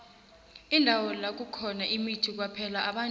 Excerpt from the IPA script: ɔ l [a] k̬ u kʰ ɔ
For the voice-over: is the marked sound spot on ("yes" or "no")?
yes